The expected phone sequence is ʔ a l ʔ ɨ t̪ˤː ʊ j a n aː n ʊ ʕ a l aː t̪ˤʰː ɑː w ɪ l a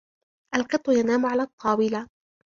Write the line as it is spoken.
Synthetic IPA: ʔ a l q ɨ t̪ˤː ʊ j a n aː m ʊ ʕ a l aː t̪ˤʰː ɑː w ɪ l a